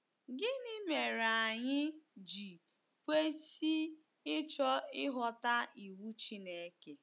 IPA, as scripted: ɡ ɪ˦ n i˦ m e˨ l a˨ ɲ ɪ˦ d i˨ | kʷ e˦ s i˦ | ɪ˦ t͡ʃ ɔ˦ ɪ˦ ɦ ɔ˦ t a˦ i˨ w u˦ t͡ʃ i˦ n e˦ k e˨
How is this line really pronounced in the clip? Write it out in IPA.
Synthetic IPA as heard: ɡ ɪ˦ n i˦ m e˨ ɾ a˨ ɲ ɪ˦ d͡ʒ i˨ | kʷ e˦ s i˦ | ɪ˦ t͡ʃ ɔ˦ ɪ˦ ɦ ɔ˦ t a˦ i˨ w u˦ t͡ʃ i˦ n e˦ k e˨